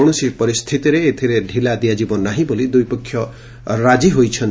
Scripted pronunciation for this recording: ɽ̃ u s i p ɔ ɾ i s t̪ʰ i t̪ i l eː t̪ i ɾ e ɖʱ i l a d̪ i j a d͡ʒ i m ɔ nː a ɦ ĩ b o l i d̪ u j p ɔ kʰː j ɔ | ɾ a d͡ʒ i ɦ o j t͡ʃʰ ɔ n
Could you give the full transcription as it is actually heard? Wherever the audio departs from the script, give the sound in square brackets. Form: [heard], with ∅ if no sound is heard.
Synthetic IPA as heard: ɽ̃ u s i p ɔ ɾ i s t̪ʰ i t̪ i [ɾ] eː [t̪ʰ] i ɾ e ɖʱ i l a d̪ i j a d͡ʒ i [b] ɔ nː a ɦ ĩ b o l i d̪ u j p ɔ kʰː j ɔ | ɾ a d͡ʒ i ɦ o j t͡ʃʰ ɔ n

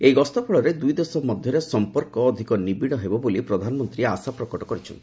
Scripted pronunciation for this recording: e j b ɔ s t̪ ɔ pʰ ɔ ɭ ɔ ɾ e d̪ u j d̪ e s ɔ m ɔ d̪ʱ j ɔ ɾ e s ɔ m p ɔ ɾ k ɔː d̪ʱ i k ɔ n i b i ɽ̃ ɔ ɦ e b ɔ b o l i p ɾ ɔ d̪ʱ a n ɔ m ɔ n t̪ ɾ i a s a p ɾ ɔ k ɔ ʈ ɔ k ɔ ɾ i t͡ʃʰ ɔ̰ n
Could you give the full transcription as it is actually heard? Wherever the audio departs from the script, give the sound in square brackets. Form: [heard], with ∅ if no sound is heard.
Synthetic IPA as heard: e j [ɡ] ɔ s t̪ ɔ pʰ ɔ ɭ ɔ ɾ e d̪ u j d̪ e s ɔ m ɔ d̪ʱ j ɔ ɾ e s ɔ m p ɔ ɾ k ɔː d̪ʱ i k ɔ n i b i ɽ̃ ɔ ɦ e b ɔ b o l i p ɾ ɔ d̪ʱ a n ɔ m ɔ n t̪ ɾ i a s a p ɾ ɔ k ɔ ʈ ɔ k ɔ ɾ i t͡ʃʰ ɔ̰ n

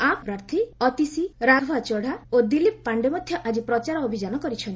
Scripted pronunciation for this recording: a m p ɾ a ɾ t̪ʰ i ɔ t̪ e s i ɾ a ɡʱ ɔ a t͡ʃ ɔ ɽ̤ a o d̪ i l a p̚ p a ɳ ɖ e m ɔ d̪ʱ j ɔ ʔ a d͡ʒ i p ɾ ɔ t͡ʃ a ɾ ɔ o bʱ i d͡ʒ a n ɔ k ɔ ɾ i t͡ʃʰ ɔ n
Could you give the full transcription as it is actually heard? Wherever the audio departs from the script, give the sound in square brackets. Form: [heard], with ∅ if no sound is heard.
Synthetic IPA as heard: a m p ɾ a ɾ t̪ʰ i ɔ t̪ [i] s i ɾ a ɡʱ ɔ a t͡ʃ ɔ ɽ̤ a o d̪ i l [i] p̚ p a ɳ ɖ e m ɔ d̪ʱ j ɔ ʔ a d͡ʒ i p ɾ ɔ t͡ʃ a ɾ ɔ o bʱ i d͡ʒ a n ɔ k ɔ ɾ i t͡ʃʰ ɔ n

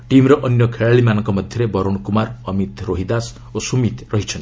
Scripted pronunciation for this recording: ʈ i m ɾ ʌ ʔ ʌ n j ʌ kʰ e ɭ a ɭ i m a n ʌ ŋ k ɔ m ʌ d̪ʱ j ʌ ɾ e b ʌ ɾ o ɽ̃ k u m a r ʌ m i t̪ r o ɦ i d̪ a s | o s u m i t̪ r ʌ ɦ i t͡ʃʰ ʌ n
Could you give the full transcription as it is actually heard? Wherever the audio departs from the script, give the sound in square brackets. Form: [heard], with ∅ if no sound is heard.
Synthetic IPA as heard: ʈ i m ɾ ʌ ʔ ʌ n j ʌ kʰ e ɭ a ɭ i m a n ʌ ŋ k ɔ m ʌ d̪ʱ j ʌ ɾ e b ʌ ɾ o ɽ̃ k u m a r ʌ m i t̪ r o ɦ i d̪ a s | o s u m i t̪ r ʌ ɦ i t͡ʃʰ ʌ n

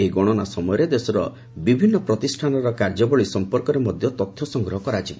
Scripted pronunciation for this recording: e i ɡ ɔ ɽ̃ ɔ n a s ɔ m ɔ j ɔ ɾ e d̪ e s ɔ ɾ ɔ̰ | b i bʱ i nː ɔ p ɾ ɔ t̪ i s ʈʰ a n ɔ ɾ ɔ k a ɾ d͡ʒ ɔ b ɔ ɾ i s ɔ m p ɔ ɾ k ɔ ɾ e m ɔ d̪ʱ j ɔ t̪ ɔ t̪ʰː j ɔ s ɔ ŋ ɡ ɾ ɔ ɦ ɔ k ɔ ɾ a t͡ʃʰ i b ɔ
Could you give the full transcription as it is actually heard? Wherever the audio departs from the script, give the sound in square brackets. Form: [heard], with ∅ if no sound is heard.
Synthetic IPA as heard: e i ɡ ɔ ɽ̃ ɔ n a s ɔ m ɔ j ɔ ɾ e d̪ e s ɔ ɾ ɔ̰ | b i bʱ i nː ɔ p ɾ ɔ t̪ i s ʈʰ a n ɔ ɾ ɔ k a ɾ d͡ʒ ɔ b ɔ [ɭ] i s ɔ m p ɔ ɾ k ɔ ɾ e m ɔ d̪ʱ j ɔ t̪ ɔ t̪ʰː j ɔ s ɔ ŋ ɡ ɾ ɔ ɦ ɔ k ɔ ɾ a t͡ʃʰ i b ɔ

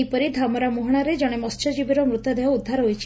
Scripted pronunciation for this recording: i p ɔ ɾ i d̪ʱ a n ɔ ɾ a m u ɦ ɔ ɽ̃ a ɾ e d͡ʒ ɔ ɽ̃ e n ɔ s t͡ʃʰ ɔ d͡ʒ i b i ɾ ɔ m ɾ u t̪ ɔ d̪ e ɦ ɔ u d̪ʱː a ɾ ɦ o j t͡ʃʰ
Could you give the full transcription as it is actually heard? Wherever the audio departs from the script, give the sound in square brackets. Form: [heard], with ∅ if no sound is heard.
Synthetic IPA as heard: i p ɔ ɾ i d̪ʱ a [m] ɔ ɾ a m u ɦ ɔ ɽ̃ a ɾ e d͡ʒ ɔ ɽ̃ e [m] ɔ s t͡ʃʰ ɔ d͡ʒ i b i ɾ ɔ m ɾ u t̪ ɔ d̪ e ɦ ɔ u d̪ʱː a ɾ ɦ o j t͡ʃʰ

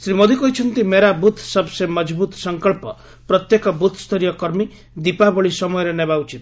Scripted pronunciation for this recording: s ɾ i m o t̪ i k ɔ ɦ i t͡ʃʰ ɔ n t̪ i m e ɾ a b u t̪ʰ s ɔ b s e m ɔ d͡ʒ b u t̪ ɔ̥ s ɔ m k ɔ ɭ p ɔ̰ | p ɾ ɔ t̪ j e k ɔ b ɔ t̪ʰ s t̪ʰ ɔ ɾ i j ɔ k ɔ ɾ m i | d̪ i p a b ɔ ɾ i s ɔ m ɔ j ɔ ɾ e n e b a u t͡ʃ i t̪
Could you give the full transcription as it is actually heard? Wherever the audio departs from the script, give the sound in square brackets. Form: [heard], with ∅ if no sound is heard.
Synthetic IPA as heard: s ɾ i m o [d̪] i k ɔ ɦ i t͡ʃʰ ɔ n t̪ i m e ɾ a b u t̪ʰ s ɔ b s e m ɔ d͡ʒ b u t̪ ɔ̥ s ɔ [ŋ] k ɔ ɭ p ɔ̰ | p ɾ ɔ t̪ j e k ɔ b [u] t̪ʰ s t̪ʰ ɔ ɾ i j ɔ k ɔ ɾ m i | d̪ i p a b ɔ [ɭ] i s ɔ m ɔ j ɔ ɾ e n e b a u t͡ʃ i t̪

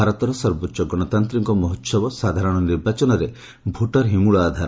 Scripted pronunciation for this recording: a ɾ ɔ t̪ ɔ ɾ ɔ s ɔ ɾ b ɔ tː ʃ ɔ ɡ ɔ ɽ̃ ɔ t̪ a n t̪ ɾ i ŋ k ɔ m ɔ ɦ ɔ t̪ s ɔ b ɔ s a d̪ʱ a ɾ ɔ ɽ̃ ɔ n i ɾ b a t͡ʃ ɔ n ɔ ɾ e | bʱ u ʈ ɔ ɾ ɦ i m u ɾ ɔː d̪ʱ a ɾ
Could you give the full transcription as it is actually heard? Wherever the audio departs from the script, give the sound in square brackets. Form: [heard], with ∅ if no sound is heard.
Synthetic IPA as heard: a ɾ ɔ t̪ ɔ ɾ ɔ s ɔ ɾ b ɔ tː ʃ ɔ ɡ ɔ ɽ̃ ɔ t̪ a n t̪ ɾ i ŋ k ɔ m ɔ ɦ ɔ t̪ s ɔ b ɔ s a d̪ʱ a ɾ ɔ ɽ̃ ɔ n i ɾ b a t͡ʃ ɔ n ɔ ɾ e | bʱ u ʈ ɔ ɾ ɦ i m u [ɭ] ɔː d̪ʱ a ɾ

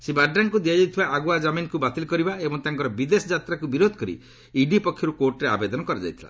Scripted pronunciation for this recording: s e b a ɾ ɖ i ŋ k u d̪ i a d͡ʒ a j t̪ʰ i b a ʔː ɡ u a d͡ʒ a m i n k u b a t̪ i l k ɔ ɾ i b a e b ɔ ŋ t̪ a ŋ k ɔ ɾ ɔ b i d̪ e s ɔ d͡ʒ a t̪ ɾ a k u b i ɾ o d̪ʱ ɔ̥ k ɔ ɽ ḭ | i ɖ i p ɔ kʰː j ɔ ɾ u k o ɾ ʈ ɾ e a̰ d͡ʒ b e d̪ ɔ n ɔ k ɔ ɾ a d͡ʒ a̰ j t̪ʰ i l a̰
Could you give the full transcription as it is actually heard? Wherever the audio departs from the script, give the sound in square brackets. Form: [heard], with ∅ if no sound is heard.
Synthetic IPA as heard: s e b a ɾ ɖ [a] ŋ k u d̪ i a d͡ʒ a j t̪ʰ i b a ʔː ɡ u a d͡ʒ a m i n k u b a t̪ i l k ɔ ɾ i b a e b ɔ ŋ t̪ a ŋ k ɔ ɾ ɔ b i d̪ e s ɔ d͡ʒ a t̪ ɾ a k u b i ɾ o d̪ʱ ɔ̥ k ɔ [ɾ] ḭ | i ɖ i p ɔ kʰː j ɔ ɾ u k o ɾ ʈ ɾ e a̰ [∅] b e d̪ ɔ n ɔ k ɔ ɾ a d͡ʒ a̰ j t̪ʰ i l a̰

